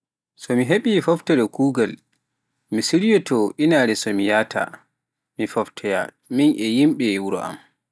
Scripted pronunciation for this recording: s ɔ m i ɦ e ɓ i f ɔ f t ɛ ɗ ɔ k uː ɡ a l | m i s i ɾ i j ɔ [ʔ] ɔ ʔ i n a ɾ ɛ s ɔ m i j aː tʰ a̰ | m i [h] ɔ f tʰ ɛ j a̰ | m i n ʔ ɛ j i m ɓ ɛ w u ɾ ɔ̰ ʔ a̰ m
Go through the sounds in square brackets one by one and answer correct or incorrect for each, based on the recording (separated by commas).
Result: incorrect, incorrect